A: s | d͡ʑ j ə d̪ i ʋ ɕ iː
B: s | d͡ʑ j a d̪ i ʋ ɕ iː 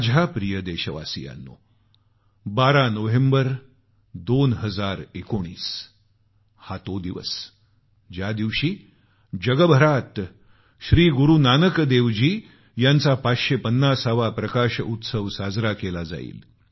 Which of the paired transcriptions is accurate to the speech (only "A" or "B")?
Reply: B